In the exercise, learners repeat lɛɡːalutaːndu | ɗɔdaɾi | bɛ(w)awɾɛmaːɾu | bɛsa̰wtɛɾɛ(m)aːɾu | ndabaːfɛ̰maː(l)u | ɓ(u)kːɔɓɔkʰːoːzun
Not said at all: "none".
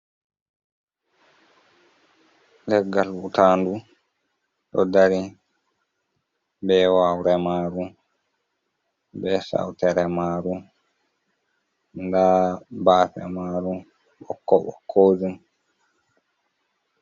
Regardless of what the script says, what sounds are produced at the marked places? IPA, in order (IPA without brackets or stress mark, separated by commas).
w, m, ɾ, ɔ